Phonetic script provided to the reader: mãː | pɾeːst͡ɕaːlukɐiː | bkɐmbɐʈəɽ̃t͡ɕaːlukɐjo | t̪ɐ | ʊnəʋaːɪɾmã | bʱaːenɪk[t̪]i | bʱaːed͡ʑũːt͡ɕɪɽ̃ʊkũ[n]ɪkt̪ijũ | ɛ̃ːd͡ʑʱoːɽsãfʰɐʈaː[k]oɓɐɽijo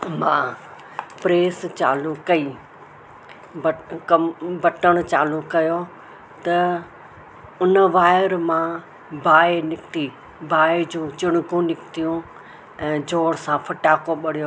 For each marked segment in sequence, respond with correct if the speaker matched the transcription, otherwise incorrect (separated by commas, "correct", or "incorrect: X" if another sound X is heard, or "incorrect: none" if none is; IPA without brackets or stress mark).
correct, correct, correct